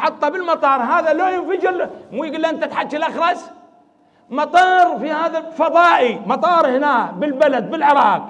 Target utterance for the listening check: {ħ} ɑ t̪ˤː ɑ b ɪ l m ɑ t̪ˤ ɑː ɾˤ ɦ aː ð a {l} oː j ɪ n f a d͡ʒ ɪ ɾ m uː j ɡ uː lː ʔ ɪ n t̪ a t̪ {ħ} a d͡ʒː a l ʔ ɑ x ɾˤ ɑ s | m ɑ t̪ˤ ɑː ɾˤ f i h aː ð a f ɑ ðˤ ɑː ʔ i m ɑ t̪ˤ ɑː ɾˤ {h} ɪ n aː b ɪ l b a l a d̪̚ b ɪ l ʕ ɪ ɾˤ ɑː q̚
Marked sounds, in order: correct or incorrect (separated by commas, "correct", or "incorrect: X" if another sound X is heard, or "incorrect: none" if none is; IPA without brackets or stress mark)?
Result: correct, correct, correct, correct